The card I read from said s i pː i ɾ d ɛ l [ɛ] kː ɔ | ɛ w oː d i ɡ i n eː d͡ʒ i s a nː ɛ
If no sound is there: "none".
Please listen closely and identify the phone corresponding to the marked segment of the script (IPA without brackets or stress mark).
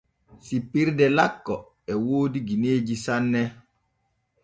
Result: a